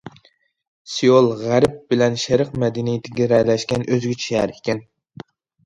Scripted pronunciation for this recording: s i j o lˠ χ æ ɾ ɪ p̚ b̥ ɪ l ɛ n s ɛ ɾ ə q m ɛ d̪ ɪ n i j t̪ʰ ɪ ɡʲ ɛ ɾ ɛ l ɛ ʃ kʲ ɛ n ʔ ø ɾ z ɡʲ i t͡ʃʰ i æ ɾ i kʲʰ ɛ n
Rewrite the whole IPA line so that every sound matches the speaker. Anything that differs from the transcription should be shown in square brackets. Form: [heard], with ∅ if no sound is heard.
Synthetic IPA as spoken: s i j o lˠ [ʁ] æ ɾ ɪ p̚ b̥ ɪ l ɛ n [ʃ] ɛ ɾ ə q m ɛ d̪ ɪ n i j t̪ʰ ɪ ɡʲ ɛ ɾ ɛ l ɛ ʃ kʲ ɛ n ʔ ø [∅] z ɡʲ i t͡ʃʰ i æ ɾ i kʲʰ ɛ n

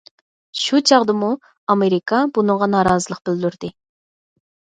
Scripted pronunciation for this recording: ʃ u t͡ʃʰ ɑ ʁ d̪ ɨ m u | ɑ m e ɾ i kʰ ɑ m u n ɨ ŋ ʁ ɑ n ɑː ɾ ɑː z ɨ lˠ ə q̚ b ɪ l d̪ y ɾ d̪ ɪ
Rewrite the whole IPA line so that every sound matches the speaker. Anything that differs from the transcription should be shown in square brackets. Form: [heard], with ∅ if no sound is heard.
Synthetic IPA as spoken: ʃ u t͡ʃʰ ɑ ʁ d̪ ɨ m u | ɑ m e ɾ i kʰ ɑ [b] u n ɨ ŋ ʁ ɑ n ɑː ɾ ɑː z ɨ lˠ ə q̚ b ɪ l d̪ y ɾ d̪ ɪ

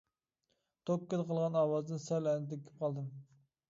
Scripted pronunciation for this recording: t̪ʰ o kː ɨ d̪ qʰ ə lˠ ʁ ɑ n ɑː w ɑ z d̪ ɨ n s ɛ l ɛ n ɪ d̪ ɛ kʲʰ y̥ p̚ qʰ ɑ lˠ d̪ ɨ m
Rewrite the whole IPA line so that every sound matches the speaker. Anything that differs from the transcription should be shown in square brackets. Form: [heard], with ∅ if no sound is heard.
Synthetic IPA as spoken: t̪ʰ o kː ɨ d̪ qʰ ə lˠ ʁ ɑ n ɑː w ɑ z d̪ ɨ n s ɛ l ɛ n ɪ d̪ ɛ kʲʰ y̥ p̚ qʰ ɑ lˠ d̪ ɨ m

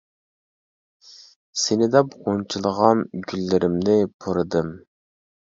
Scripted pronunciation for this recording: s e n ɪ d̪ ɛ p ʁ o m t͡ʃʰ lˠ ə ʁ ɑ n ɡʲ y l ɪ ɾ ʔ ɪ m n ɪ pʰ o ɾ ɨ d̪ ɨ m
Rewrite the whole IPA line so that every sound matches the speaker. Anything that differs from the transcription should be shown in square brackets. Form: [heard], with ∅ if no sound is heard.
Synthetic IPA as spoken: s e n ɪ d̪ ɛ p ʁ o [n] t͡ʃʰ lˠ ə ʁ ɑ n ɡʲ y [lː] ɪ ɾ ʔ ɪ m n ɪ pʰ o ɾ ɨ d̪ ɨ m

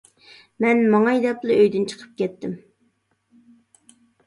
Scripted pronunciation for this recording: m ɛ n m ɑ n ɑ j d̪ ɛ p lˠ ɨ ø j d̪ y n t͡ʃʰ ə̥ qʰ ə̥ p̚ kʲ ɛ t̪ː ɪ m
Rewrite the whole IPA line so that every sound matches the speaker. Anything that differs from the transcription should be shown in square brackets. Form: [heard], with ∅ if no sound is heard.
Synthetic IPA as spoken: m ɛ n m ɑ [ŋ] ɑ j d̪ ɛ p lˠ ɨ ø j d̪ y n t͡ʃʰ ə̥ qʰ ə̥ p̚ kʲ ɛ t̪ː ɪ m

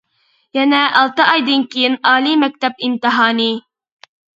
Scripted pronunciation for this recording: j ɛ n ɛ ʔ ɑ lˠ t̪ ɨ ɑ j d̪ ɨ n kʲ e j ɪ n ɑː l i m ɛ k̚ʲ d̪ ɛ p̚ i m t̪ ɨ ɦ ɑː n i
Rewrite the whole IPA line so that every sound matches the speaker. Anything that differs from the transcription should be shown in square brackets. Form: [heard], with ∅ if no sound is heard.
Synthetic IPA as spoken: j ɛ n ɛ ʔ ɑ lˠ t̪ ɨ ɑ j d̪ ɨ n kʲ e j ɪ n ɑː l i m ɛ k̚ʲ [t̪] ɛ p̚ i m t̪ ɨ ɦ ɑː n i

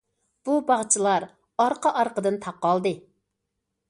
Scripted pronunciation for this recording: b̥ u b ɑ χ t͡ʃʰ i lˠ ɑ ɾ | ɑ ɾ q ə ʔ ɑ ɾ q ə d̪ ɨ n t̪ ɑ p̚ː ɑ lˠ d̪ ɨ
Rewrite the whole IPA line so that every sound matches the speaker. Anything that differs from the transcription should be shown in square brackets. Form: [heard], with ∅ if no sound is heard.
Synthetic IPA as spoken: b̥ u b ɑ [ʁ] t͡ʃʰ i lˠ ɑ ɾ | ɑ ɾ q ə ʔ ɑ ɾ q ə d̪ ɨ n [t̪ʰ] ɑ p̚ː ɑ lˠ d̪ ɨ

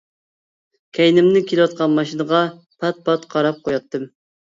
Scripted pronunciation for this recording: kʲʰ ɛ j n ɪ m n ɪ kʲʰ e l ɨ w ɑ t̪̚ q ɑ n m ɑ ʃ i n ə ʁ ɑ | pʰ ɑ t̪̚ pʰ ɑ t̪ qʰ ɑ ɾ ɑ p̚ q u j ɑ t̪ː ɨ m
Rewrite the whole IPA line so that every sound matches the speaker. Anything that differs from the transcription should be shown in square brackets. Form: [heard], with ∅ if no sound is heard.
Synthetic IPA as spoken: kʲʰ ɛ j n ɪ m n ɪ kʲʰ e l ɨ w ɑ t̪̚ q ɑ n m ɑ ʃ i n ə ʁ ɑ | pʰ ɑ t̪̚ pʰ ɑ t̪ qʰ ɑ ɾ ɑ p̚ q [o] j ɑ t̪ː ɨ m

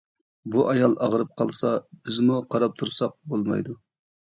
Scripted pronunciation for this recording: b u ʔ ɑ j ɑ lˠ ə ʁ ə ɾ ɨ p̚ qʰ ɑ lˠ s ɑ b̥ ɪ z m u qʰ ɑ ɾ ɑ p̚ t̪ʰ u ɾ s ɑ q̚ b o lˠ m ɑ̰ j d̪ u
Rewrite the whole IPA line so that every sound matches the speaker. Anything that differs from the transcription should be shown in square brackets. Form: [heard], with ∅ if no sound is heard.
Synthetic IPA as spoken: b u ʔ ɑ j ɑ lˠ [ɑ] ʁ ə ɾ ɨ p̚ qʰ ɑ lˠ s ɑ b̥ ɪ z m u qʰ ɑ ɾ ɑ p̚ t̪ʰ u ɾ s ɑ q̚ b o lˠ m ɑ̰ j d̪ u

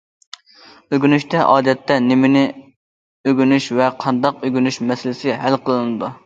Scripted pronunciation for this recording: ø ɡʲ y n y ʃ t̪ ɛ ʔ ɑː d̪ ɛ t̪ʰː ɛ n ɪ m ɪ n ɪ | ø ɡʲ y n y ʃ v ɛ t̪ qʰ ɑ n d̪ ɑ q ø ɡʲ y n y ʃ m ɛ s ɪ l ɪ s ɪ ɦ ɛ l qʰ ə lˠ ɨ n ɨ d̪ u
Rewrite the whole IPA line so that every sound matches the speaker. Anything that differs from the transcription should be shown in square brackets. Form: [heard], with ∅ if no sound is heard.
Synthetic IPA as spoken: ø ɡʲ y n y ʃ t̪ ɛ ʔ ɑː d̪ ɛ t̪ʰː ɛ n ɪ m ɪ n ɪ | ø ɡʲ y n y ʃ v ɛ [∅] qʰ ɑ n d̪ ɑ q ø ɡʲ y n y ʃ m ɛ s ɪ l ɪ s ɪ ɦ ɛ l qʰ ə lˠ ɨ n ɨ d̪ u

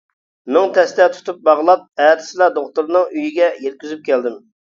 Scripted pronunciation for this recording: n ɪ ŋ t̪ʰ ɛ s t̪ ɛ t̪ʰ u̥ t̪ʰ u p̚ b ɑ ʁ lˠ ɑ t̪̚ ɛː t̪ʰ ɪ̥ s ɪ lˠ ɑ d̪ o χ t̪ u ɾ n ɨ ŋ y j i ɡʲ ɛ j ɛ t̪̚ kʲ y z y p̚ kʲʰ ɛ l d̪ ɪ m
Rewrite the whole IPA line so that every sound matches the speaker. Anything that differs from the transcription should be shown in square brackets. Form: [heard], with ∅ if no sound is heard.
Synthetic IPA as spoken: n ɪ ŋ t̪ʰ ɛ s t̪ ɛ t̪ʰ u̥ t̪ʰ u p̚ b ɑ ʁ lˠ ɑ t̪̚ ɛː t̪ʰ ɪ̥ s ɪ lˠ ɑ d̪ o χ t̪ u ɾ n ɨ ŋ y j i ɡʲ ɛ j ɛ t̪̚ kʲ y z y p̚ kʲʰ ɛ l d̪ ɪ m

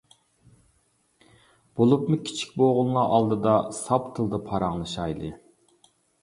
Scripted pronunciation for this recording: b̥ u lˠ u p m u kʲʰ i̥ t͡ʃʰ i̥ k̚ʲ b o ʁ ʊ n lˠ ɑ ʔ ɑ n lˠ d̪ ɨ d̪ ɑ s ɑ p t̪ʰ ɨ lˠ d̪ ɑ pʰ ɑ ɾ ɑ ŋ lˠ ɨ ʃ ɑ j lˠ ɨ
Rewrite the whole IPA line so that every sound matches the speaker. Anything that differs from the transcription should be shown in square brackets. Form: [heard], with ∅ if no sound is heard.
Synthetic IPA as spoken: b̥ [o] lˠ u p m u kʲʰ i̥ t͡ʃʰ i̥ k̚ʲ b o ʁ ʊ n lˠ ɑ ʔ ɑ [∅] lˠ d̪ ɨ d̪ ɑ s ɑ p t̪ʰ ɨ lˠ d̪ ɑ pʰ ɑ ɾ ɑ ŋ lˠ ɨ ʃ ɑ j lˠ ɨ

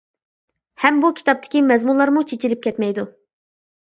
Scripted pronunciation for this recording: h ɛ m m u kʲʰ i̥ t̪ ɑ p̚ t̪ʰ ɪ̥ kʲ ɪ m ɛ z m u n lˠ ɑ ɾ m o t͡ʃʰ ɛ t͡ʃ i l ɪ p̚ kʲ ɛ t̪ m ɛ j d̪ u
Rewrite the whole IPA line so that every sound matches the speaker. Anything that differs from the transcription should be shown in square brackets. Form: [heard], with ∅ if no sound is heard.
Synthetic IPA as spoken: h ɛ m [b] u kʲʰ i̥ t̪ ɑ p̚ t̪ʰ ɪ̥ kʲ [i] m ɛ z m u n lˠ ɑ ɾ m [u] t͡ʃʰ [e] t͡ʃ i l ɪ p̚ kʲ ɛ t̪ m ɛ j d̪ u

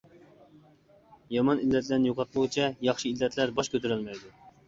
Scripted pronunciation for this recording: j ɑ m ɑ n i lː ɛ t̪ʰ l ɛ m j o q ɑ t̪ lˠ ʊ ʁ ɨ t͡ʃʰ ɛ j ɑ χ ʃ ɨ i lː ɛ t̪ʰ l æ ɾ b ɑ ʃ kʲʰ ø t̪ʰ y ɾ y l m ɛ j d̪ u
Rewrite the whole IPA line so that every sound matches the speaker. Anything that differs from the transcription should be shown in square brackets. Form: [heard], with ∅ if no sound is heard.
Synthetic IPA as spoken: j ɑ m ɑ n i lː ɛ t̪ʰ l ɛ [n] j o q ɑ t̪ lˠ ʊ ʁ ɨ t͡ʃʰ ɛ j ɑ χ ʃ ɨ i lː ɛ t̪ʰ l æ ɾ b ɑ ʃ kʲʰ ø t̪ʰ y ɾ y l m ɛ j d̪ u

